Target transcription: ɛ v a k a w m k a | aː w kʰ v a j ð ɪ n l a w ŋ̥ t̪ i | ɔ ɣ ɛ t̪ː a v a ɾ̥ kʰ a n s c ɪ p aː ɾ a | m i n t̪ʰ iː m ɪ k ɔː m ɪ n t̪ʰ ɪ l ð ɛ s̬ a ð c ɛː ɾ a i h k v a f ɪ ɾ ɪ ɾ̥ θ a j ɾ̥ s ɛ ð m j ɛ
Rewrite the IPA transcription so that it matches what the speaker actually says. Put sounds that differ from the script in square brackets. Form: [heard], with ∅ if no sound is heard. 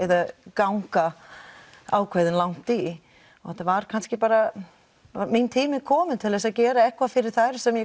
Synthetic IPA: ɛ [ð] a k a w [ŋ] k a | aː w kʰ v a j ð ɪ n l a w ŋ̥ t̪ i | ɔ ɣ ɛ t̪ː a v a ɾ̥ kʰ a n s c ɪ p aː ɾ a | m i n t̪ʰ iː m ɪ [kʰ] ɔː m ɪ n t̪ʰ ɪ l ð ɛ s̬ a ð c ɛː ɾ a [ɛ] h k v a f ɪ ɾ ɪ ɾ̥ θ a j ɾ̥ s ɛ [∅] m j ɛ